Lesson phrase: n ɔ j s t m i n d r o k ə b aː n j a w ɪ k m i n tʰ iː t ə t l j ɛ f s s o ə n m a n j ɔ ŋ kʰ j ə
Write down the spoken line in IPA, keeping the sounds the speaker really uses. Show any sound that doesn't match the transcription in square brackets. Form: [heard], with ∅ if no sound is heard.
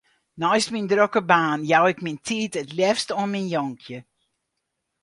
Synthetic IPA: n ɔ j s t m i n d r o k ə b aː n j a w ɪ k m i n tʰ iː t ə t l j ɛ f s [t] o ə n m [i] n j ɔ ŋ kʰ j ə